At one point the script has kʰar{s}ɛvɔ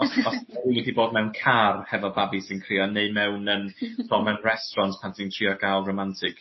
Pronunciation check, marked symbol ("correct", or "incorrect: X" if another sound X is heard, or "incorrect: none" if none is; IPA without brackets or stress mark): incorrect: h